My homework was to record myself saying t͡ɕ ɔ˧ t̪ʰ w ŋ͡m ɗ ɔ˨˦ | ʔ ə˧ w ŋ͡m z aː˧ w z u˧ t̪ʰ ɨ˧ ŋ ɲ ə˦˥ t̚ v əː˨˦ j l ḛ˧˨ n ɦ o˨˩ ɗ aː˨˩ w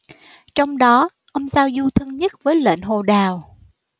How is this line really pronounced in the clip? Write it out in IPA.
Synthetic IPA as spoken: t͡ɕ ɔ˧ w ŋ͡m ɗ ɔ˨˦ | ʔ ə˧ w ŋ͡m z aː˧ w z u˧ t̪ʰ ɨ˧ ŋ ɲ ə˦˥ t̚ v əː˨˦ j l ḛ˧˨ n ɦ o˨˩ ɗ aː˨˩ w